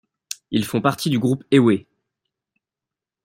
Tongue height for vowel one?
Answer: high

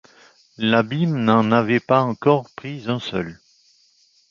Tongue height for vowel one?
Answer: low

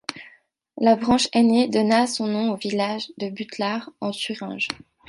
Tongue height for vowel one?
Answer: low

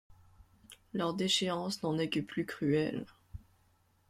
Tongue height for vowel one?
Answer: mid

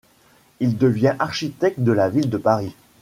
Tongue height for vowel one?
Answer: high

